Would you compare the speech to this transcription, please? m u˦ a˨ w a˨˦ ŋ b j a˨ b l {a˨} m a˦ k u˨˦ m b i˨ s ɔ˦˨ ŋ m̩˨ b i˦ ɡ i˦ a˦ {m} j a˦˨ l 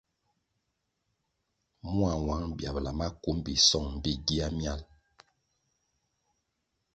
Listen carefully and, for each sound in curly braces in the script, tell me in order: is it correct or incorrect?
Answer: correct, correct

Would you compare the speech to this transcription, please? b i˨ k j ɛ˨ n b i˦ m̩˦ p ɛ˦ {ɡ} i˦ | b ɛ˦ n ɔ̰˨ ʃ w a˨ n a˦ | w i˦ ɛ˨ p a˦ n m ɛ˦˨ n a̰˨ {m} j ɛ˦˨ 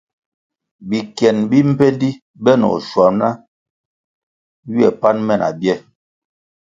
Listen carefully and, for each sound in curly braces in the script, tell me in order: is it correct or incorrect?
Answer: incorrect: d, incorrect: b

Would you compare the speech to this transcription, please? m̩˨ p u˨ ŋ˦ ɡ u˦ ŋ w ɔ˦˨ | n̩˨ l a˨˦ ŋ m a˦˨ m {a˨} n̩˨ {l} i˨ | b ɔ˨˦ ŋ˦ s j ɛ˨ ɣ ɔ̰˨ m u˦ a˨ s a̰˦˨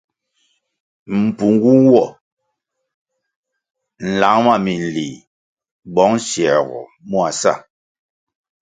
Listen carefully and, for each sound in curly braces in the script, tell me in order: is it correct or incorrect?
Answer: incorrect: i˨, correct

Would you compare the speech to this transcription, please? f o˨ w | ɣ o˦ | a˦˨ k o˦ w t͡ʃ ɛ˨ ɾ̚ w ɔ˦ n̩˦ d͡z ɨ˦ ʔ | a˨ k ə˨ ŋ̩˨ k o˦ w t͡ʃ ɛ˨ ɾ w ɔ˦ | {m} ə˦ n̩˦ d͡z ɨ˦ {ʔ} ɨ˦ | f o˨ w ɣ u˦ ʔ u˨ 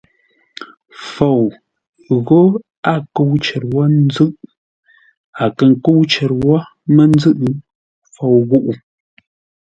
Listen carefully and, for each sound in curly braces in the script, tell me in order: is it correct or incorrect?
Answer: correct, correct

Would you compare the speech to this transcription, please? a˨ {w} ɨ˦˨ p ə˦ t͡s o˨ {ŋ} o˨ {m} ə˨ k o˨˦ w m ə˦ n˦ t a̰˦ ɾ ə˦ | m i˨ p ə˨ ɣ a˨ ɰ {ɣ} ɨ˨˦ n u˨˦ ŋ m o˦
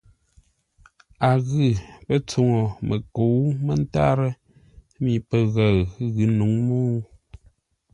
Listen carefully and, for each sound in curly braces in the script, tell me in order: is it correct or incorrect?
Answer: incorrect: ɣ, correct, correct, correct

